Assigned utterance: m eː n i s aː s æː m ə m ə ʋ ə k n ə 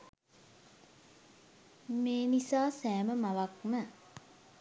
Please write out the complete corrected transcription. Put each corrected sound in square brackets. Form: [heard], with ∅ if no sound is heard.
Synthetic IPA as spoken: m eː n i s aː s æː m ə m [a] ʋ [a] k [m] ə